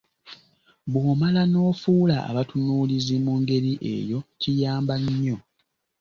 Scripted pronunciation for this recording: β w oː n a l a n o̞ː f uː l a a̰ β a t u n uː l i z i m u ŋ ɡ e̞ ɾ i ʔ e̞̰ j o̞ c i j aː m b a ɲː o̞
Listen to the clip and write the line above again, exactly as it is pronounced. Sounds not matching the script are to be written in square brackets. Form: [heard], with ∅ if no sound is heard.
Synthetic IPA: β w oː [m] a l a n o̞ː f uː l a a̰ β a t u n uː l i z i m u ŋ ɡ e̞ ɾ i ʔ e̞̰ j o̞ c i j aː m b a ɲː o̞